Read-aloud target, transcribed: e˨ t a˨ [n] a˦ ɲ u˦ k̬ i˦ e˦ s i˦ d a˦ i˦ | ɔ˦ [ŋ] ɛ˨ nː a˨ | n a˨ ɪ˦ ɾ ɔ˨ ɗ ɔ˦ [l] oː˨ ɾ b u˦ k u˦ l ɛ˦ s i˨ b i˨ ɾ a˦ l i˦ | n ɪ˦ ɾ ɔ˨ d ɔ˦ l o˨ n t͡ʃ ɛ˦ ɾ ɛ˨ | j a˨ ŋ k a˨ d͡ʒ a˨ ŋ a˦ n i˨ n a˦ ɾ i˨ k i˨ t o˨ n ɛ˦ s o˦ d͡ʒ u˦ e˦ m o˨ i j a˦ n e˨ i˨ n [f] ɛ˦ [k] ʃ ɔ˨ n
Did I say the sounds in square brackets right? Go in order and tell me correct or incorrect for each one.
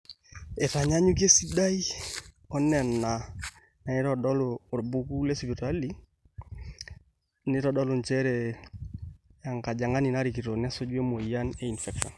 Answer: incorrect: ɲ, incorrect: n, correct, correct, correct

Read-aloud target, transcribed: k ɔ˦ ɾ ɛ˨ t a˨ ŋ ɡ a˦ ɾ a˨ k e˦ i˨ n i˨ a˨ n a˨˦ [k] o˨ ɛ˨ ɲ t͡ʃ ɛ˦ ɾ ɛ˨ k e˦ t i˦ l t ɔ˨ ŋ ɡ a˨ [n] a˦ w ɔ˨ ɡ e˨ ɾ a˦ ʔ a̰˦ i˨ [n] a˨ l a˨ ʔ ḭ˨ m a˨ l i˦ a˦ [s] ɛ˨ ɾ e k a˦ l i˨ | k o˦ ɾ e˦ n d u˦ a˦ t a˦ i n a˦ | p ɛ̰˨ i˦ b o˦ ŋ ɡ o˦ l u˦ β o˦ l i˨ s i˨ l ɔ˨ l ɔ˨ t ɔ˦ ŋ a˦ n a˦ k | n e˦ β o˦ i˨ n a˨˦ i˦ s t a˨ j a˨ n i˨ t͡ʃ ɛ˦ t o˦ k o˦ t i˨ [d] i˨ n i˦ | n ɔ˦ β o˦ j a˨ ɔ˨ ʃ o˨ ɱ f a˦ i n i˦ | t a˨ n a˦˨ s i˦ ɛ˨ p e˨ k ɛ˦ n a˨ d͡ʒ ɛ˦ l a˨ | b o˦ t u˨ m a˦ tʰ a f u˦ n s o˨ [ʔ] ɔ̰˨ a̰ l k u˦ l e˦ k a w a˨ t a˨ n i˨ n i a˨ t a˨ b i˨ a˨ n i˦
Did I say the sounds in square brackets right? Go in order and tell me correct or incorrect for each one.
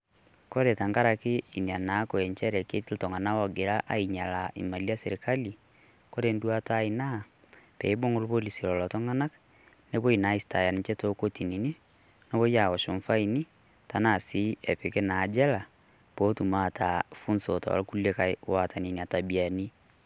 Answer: correct, correct, incorrect: ɲ, correct, incorrect: n, incorrect: t

